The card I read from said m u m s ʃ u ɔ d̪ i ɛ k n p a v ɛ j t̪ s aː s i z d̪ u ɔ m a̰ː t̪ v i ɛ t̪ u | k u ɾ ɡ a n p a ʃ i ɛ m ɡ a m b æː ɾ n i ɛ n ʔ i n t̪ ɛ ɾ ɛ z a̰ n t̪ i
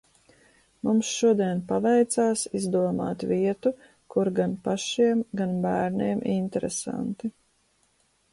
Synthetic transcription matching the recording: m u m s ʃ u ɔ d̪ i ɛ n p a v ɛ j t̪ s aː s i z d̪ u ɔ m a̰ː t̪ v i ɛ t̪ u | k u ɾ ɡ a n p a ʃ i ɛ m ɡ a n b æː ɾ n i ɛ m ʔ i n t̪ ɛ ɾ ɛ s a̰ n t̪ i